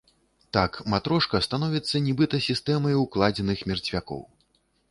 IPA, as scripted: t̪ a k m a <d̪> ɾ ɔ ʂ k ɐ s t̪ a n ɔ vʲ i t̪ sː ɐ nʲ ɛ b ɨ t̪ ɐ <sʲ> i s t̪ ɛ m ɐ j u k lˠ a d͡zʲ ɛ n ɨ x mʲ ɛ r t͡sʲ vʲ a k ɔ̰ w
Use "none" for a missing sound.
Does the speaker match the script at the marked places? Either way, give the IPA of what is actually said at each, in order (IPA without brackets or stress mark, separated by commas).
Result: t̪, sʲ